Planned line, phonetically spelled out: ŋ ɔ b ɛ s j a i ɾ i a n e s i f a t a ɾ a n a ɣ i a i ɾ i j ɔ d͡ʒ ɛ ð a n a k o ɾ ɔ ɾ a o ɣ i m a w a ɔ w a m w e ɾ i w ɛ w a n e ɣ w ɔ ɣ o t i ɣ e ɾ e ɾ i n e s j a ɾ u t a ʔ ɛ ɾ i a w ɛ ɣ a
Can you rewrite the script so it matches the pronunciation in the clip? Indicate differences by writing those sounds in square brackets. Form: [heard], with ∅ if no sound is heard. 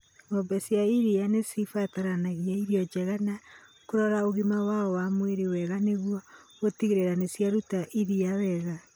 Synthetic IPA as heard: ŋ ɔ b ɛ s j a i ɾ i a n e s i f a t a ɾ a n a ɣ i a i ɾ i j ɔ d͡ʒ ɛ [ɣ] a n a k o ɾ ɔ ɾ a o ɣ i m a w a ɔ w a m w e ɾ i w ɛ [ɣ] a n e ɣ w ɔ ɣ o t i ɣ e ɾ e ɾ [a] n e s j a ɾ u t a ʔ [i] ɾ i a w ɛ ɣ a